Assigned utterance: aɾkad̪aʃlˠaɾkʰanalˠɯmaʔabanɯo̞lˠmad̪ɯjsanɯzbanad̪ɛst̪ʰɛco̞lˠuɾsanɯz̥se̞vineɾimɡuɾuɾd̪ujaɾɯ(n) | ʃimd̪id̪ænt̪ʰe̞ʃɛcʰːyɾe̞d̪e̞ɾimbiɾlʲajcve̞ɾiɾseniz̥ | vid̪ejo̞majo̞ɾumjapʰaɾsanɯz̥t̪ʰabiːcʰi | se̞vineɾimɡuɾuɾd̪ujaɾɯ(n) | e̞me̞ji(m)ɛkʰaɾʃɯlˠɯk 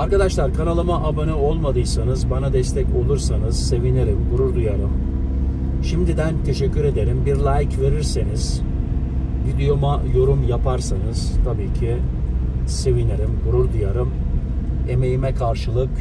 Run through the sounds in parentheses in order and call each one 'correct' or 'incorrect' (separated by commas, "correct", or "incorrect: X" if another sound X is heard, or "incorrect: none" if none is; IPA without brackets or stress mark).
incorrect: m, incorrect: m, correct